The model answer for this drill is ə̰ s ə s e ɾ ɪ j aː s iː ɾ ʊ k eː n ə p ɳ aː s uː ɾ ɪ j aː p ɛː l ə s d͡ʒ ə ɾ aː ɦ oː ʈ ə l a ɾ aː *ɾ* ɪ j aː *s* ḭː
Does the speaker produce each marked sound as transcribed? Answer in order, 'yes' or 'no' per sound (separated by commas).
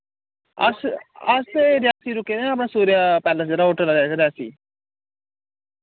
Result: yes, yes